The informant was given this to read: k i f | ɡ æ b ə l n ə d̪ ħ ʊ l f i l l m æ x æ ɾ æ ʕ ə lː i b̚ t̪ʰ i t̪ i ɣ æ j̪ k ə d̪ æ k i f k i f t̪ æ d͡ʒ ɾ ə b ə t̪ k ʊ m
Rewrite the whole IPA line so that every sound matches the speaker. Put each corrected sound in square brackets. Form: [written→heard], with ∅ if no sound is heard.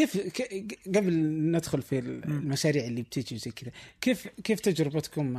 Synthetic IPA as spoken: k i f | ɡ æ b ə l n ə d̪ [ħ→x] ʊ l f i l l m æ [x→ʃ] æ ɾ [æ→i] ʕ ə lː i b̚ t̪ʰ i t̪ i [ɣ→z] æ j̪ k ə d̪ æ k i f k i f t̪ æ d͡ʒ ɾ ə b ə t̪ k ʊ m